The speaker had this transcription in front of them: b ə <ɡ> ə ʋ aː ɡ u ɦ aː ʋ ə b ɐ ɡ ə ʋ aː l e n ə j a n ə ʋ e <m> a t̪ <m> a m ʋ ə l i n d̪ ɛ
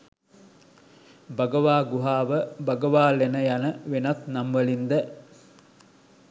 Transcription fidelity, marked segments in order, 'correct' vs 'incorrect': correct, incorrect: n, incorrect: n

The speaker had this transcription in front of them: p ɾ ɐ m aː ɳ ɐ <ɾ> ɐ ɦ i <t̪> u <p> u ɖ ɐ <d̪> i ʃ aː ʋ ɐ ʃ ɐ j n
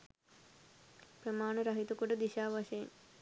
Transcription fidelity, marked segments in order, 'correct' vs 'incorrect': correct, correct, incorrect: k, correct

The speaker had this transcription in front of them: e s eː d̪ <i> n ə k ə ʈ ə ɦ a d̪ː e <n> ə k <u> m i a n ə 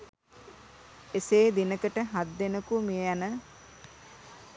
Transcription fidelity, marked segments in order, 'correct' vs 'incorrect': correct, correct, correct

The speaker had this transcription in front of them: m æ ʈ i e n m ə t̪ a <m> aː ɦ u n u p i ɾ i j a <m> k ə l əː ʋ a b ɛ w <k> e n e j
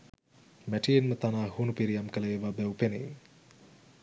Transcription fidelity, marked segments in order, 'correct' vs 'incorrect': incorrect: n, correct, incorrect: p

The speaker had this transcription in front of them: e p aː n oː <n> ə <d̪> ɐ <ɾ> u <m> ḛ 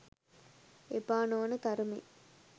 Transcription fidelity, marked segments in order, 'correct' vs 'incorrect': correct, incorrect: t̪, correct, correct

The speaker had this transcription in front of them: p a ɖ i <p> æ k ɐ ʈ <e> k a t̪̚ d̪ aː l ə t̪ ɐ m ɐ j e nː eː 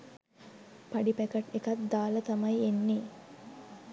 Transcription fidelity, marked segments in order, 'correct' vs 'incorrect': correct, correct

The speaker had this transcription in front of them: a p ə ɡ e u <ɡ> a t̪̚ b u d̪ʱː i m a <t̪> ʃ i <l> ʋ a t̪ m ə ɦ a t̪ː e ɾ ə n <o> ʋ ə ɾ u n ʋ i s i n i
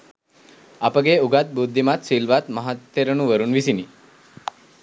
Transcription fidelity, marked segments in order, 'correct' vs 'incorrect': correct, correct, correct, incorrect: u

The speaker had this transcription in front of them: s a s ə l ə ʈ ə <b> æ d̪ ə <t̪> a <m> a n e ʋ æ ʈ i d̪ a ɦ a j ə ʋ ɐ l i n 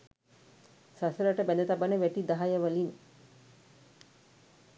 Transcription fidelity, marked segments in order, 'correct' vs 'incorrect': correct, correct, incorrect: b

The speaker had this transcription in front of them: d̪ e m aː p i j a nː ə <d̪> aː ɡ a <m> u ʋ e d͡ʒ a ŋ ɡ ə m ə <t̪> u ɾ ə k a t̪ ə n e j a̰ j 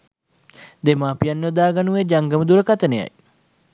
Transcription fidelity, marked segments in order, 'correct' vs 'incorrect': correct, incorrect: n, incorrect: d̪

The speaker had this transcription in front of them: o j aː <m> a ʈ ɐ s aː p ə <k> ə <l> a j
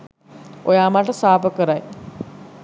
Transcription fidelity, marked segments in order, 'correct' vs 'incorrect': correct, correct, incorrect: ɾ

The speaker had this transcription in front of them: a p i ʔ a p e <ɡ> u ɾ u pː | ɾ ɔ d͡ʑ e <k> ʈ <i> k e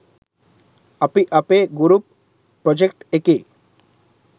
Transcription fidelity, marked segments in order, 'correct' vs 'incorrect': correct, correct, incorrect: e

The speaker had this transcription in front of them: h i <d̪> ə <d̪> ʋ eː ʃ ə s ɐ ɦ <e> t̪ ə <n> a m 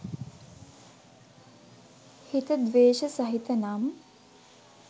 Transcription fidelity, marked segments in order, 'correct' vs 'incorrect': incorrect: t̪, correct, incorrect: i, correct

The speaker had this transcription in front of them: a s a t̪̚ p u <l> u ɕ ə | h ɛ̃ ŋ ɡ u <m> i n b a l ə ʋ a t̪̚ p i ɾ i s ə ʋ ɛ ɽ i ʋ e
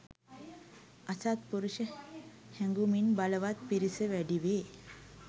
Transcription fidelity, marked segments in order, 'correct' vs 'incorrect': incorrect: ɾ, correct

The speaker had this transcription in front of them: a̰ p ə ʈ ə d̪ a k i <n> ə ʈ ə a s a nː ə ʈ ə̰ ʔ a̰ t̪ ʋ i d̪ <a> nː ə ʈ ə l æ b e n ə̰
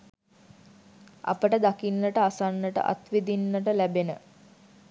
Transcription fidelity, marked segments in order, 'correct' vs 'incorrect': incorrect: nː, incorrect: i

